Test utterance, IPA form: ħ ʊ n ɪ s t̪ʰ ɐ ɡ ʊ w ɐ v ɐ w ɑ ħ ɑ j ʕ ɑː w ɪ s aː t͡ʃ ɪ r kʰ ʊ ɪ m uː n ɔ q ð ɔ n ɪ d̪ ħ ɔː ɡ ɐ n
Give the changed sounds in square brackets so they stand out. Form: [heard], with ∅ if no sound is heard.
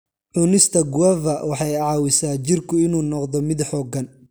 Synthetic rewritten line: ħ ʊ n ɪ s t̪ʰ ɐ ɡ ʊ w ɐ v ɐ w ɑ ħ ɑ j ʕ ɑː w ɪ s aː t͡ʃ ɪ r kʰ ʊ ɪ [n] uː n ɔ q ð ɔ [m] ɪ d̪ ħ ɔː ɡ ɐ n